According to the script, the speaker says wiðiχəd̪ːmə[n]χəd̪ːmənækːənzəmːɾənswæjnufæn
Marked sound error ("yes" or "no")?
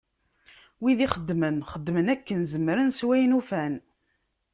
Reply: no